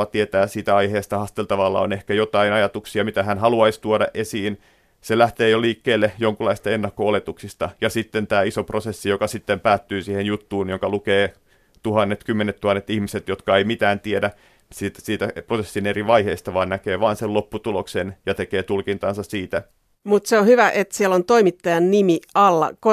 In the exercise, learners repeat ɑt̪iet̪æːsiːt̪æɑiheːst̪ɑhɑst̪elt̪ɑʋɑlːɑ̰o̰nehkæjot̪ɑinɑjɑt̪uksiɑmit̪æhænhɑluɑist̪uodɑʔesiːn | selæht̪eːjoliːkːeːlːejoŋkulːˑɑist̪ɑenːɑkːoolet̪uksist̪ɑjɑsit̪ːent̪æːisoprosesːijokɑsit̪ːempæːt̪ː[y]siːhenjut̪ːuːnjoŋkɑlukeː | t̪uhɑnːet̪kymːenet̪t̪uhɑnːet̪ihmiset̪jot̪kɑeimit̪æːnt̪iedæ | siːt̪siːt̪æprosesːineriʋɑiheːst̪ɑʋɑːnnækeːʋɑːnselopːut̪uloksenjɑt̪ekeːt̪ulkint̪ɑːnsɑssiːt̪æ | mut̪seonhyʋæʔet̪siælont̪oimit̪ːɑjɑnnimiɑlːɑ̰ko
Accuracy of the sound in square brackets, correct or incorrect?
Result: incorrect